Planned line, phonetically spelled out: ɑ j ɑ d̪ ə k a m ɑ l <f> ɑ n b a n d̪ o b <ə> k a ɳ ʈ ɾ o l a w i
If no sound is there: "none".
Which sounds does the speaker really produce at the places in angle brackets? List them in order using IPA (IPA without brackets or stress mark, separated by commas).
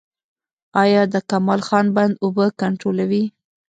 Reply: x, ə